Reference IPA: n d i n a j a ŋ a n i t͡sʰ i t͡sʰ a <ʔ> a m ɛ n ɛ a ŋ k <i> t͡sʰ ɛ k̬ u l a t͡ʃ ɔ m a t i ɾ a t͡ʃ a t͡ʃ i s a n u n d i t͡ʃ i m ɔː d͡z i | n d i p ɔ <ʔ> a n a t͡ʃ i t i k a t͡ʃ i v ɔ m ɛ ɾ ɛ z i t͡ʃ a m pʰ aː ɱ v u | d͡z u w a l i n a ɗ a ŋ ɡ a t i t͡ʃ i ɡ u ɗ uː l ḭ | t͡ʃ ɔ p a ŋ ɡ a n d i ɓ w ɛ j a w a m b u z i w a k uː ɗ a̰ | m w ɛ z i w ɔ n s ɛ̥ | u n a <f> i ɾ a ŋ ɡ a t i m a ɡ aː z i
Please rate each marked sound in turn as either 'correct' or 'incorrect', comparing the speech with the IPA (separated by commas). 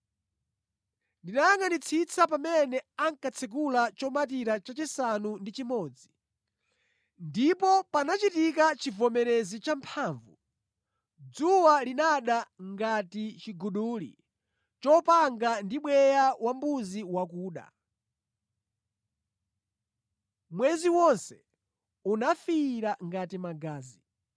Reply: incorrect, incorrect, incorrect, correct